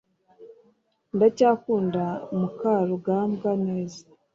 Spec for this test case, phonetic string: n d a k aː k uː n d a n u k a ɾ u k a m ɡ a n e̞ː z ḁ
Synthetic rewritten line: n d a c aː k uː n d a m u k a ɾ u ɡ a m ɡ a n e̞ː z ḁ